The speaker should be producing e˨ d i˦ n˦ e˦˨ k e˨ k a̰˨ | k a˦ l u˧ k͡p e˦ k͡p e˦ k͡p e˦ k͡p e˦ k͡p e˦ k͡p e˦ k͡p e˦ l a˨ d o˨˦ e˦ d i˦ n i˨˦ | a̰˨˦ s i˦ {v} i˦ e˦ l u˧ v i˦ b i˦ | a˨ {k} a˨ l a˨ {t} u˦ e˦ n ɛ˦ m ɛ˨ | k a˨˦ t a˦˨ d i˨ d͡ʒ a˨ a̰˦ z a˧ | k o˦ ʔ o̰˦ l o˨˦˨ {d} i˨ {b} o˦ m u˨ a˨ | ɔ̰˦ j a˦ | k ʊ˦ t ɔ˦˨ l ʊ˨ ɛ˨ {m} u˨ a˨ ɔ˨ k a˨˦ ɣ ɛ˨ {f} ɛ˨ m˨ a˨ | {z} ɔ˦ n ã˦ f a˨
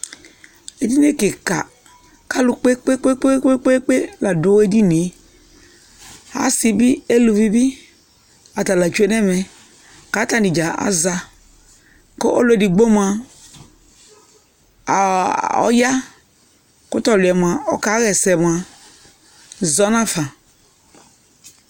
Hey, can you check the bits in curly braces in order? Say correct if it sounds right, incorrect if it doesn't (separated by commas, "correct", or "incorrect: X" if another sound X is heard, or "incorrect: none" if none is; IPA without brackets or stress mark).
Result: incorrect: b, incorrect: t, incorrect: t͡ʃ, correct, incorrect: ɡ͡b, correct, incorrect: s, correct